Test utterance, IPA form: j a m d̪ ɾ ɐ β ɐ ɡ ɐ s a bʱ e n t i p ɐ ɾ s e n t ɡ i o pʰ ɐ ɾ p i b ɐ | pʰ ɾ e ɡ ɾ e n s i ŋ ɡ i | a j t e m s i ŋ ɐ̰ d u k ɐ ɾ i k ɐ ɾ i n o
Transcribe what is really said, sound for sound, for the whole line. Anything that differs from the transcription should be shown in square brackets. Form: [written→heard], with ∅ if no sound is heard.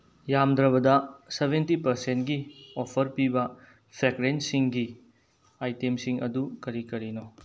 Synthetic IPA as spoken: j a m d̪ ɾ ɐ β ɐ [ɡ→d] ɐ s [a→e] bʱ e n t i p ɐ ɾ s e n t ɡ i o pʰ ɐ ɾ p i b ɐ | pʰ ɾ e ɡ ɾ e n s i ŋ ɡ i | a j t e m s i ŋ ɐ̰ d u k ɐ ɾ i k ɐ ɾ i n o